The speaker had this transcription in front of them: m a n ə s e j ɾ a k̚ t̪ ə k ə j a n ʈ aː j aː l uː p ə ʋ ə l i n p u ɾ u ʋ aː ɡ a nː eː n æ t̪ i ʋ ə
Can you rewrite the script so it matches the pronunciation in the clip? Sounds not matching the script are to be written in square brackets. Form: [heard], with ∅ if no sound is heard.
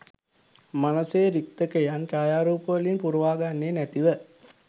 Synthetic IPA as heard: m a n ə s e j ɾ [i] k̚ t̪ ə k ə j a n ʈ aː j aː [ɾ] uː p ə ʋ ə l i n p u ɾ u ʋ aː ɡ a nː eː n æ t̪ i ʋ ə